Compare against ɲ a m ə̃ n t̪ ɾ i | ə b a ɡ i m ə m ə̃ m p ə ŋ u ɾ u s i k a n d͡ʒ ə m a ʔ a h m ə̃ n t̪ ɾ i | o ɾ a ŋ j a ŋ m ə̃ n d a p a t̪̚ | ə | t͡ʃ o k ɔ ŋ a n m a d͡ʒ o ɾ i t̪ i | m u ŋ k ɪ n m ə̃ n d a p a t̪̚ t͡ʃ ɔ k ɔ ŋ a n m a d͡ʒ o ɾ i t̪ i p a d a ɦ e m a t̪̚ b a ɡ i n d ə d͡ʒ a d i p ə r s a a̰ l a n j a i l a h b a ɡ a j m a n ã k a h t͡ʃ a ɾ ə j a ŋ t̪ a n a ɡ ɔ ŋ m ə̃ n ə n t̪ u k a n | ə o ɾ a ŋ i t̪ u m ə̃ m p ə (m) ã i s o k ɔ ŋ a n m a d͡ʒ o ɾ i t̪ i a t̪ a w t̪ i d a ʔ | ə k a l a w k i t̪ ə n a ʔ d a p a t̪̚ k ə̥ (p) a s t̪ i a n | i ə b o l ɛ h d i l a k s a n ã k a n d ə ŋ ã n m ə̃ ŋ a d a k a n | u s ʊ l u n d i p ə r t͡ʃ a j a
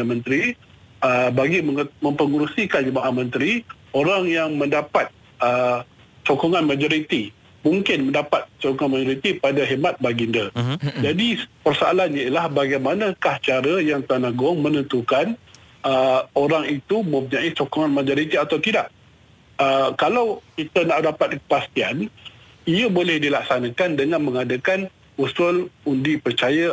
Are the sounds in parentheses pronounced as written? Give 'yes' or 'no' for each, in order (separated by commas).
no, yes